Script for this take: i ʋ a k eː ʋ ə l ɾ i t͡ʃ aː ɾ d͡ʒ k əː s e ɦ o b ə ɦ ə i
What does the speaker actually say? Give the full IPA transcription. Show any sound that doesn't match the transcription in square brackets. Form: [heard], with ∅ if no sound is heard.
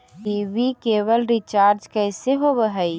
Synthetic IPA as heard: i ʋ [i] k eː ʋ ə l ɾ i t͡ʃ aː ɾ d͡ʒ k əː s e ɦ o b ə ɦ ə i